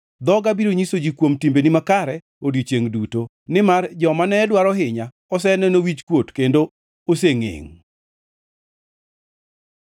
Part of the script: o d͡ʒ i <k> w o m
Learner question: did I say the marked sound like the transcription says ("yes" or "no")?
yes